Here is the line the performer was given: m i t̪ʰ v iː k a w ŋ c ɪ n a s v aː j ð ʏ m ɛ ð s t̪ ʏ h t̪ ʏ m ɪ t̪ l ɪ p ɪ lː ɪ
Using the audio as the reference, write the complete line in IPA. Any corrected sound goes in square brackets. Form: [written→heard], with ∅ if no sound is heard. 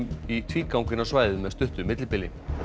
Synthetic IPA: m i t̪ʰ v iː k a w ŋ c ɪ n a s v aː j ð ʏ m ɛ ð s t̪ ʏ h t̪ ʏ m ɪ t̪ l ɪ p ɪ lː ɪ